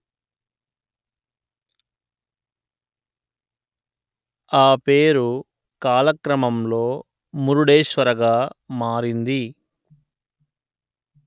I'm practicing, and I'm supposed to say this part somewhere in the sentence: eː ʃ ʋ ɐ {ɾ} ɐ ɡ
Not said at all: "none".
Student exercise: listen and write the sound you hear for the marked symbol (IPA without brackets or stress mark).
ɾ